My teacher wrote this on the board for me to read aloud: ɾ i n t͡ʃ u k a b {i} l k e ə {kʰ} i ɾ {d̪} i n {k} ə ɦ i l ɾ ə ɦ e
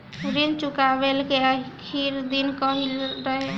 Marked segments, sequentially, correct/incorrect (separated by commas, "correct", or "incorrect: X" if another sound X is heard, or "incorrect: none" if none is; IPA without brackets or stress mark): incorrect: e, correct, correct, correct